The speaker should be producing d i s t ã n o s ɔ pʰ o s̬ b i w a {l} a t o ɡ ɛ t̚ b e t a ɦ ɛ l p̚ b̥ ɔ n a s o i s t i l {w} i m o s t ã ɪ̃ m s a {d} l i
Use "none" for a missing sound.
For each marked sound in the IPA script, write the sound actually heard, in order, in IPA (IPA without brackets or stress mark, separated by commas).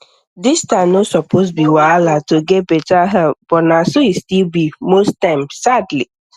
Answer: l, b, d